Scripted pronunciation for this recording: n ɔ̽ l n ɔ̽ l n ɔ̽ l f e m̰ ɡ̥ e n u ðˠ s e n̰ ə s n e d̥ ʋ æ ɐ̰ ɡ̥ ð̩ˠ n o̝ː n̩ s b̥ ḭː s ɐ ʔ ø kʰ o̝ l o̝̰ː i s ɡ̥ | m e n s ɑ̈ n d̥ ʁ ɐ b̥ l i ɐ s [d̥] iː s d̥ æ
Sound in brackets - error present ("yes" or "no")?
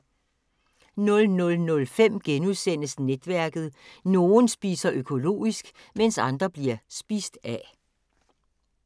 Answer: yes